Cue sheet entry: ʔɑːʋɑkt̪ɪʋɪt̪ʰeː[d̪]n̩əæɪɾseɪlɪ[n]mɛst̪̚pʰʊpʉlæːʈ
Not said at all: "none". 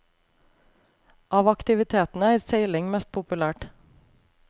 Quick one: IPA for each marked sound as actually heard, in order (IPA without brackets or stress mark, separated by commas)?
t̪, ŋ